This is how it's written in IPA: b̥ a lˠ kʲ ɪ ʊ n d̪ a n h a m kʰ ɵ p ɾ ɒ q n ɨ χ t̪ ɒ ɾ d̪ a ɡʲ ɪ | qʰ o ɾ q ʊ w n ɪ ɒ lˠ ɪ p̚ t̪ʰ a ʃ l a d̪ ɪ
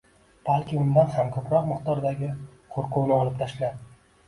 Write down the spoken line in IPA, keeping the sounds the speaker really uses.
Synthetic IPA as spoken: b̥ a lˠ kʲ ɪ ʊ n d̪ a n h a m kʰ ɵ p ɾ ɒ q m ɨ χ t̪ ɒ ɾ d̪ a ɡʲ ɪ | qʰ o ɾ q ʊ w n ɪ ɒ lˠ ɪ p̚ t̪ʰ a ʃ l a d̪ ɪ